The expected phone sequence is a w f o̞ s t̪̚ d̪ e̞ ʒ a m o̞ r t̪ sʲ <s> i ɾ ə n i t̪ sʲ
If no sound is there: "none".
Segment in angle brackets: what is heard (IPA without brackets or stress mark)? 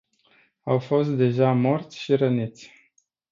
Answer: ʃ